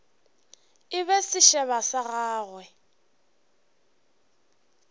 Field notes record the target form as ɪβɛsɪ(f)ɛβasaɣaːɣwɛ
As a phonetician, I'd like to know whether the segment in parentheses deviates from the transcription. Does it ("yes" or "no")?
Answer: yes